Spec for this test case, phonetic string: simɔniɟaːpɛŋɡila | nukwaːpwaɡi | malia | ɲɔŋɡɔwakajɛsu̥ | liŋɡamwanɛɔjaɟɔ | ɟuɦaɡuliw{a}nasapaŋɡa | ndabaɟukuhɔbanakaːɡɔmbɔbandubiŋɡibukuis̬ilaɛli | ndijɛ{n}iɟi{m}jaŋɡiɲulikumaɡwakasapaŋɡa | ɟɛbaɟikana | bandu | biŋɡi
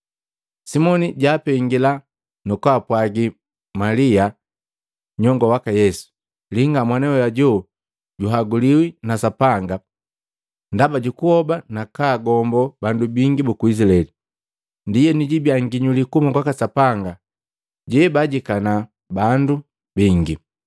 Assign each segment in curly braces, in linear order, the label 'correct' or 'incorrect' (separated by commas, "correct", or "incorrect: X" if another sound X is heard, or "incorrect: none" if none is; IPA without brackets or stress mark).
incorrect: i, correct, incorrect: b